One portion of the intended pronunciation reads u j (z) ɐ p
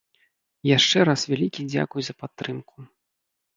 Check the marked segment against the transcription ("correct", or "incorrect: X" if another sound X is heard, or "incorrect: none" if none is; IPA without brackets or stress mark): correct